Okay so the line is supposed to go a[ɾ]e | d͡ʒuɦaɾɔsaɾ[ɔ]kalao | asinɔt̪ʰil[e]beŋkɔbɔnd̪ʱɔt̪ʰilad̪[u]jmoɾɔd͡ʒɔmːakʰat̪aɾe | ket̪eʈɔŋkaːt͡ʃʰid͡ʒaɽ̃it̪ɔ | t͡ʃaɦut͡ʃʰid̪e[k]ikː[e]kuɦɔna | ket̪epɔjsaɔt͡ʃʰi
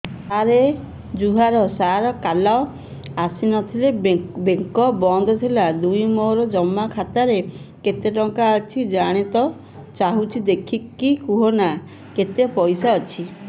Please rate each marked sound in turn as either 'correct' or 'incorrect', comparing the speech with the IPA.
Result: correct, correct, correct, correct, incorrect: kʰ, incorrect: i

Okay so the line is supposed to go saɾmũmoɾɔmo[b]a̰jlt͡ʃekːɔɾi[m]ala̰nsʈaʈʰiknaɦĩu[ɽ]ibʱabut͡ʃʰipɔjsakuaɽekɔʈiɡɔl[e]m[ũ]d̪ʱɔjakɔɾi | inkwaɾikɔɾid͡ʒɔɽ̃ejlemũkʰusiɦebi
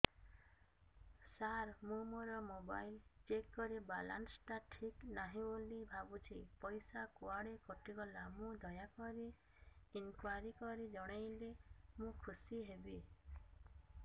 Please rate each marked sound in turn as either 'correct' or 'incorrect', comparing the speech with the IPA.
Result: correct, incorrect: b, incorrect: l, incorrect: a, correct

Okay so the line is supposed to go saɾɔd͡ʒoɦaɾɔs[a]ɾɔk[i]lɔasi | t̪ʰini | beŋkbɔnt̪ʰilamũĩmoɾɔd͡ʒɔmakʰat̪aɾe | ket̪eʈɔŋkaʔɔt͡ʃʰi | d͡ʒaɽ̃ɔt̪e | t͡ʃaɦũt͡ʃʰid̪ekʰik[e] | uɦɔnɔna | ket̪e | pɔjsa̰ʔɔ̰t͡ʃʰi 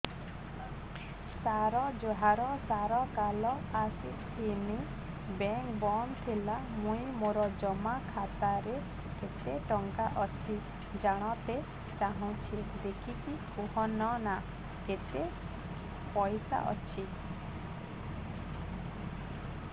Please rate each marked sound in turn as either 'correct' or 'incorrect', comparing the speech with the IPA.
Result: correct, incorrect: a, incorrect: i

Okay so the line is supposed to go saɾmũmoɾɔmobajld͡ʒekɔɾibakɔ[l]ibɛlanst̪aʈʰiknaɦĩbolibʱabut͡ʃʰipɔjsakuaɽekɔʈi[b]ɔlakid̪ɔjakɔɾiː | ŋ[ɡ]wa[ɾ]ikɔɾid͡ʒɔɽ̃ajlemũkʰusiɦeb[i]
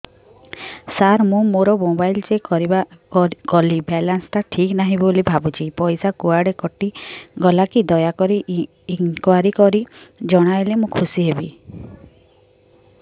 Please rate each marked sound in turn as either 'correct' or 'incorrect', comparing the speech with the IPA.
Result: correct, incorrect: ɡ, incorrect: k, correct, correct

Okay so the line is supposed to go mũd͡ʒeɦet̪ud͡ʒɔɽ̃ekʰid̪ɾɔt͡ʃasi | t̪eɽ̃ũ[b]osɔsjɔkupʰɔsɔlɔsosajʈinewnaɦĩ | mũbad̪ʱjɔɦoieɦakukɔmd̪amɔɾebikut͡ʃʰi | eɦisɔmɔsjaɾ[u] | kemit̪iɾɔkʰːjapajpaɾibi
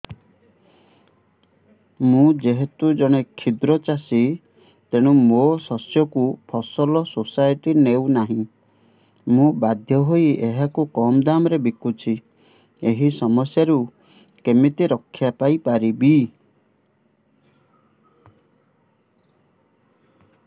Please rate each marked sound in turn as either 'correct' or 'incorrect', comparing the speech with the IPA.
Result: incorrect: m, correct

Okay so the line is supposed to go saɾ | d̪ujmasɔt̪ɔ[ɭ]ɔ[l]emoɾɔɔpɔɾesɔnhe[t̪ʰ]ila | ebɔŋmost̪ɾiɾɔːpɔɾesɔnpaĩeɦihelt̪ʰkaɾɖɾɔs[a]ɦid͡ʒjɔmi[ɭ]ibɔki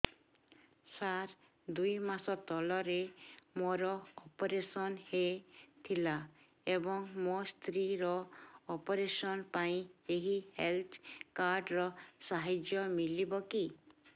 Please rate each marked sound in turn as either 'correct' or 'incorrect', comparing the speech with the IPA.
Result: incorrect: l, incorrect: ɾ, correct, correct, incorrect: l

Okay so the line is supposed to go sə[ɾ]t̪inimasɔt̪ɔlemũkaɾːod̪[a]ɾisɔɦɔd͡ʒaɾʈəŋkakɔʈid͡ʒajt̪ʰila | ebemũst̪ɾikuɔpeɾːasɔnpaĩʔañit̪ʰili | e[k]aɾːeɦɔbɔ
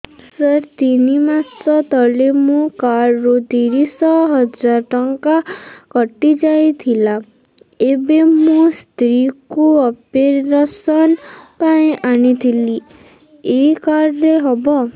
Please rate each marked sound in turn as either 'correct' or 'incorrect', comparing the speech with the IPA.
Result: correct, incorrect: i, correct

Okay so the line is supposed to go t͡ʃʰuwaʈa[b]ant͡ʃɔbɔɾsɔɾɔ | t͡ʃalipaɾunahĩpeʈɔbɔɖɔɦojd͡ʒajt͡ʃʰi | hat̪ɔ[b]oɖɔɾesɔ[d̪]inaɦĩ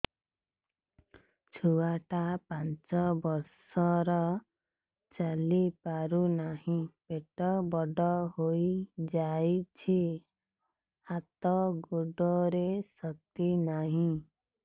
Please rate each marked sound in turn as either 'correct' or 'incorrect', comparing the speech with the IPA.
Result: incorrect: p, incorrect: ɡ, incorrect: t̪

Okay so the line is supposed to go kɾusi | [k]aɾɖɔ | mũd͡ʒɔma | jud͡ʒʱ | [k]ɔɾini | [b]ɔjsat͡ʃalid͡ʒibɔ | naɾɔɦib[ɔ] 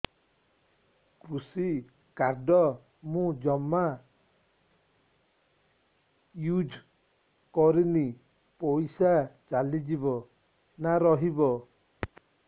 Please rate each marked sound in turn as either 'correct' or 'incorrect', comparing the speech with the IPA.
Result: correct, correct, incorrect: p, correct

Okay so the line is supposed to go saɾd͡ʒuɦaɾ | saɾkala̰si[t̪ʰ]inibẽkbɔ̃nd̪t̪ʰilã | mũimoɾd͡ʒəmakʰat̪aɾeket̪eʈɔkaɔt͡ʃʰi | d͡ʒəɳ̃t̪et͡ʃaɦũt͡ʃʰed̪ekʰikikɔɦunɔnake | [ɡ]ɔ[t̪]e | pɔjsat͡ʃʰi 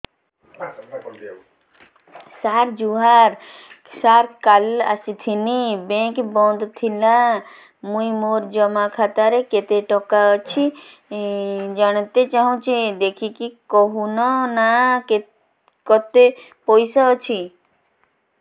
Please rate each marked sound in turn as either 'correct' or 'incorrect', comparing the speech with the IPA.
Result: correct, incorrect: k, correct

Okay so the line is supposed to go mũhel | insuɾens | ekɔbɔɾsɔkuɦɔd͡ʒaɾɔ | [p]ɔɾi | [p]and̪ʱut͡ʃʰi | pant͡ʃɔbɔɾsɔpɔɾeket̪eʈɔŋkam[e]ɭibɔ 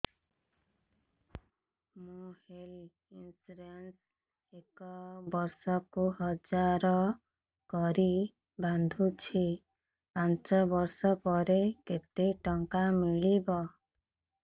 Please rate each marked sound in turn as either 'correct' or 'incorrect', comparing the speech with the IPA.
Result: incorrect: k, incorrect: b, incorrect: i

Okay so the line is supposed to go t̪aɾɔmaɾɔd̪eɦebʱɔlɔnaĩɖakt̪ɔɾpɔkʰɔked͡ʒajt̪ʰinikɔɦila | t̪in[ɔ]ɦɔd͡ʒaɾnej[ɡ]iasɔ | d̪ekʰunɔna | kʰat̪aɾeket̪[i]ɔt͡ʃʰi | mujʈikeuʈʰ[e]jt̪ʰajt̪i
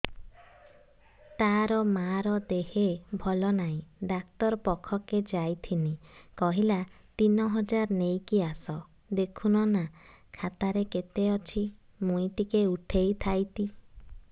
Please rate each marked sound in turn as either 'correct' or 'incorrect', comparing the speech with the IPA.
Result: correct, incorrect: k, incorrect: e, correct

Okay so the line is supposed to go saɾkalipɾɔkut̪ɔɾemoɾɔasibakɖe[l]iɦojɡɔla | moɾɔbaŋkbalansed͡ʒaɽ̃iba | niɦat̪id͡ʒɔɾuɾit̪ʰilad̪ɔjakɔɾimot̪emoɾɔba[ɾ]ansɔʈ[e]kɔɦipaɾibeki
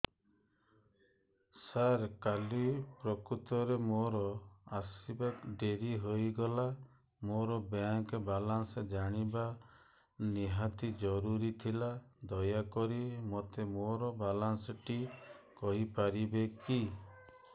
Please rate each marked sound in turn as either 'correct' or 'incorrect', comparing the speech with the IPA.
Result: incorrect: ɾ, incorrect: l, incorrect: i

